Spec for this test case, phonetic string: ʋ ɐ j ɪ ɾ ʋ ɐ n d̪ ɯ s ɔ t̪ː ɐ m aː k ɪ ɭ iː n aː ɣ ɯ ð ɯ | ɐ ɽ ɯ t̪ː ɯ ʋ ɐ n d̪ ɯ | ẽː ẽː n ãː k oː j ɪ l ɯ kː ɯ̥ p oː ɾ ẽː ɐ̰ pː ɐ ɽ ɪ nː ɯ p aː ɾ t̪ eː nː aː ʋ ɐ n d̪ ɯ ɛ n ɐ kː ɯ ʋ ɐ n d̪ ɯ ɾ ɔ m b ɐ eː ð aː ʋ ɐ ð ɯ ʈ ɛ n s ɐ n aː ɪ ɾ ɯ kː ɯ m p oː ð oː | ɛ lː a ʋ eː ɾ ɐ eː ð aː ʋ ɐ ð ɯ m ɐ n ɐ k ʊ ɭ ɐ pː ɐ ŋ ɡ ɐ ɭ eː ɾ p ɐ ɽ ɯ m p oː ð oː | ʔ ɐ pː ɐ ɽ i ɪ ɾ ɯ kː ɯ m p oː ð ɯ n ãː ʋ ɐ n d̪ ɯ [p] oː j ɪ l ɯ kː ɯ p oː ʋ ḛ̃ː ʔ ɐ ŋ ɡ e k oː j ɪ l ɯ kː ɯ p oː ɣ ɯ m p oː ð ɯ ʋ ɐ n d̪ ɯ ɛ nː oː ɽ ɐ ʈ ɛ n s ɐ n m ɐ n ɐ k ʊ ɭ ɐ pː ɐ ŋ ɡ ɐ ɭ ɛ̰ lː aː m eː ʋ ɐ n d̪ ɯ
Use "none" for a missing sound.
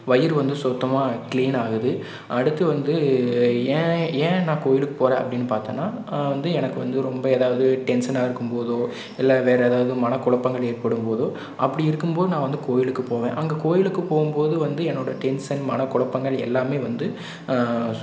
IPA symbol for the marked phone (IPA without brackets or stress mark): k